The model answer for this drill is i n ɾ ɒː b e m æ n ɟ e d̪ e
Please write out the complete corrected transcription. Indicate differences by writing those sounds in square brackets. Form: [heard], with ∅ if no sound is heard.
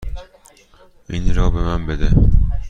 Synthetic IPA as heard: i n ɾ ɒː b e m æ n [b] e d̪ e